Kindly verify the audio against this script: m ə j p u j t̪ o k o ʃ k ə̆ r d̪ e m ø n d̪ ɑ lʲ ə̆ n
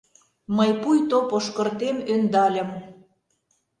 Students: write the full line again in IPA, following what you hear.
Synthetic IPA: m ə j p u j t̪ o p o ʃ k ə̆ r t̪ e m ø n d̪ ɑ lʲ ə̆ m